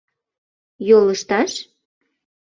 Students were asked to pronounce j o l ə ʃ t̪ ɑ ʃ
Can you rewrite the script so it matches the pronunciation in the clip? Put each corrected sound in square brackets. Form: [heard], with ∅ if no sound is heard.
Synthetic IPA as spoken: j o l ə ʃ t̪ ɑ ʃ